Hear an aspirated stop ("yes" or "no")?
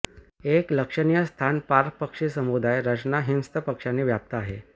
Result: yes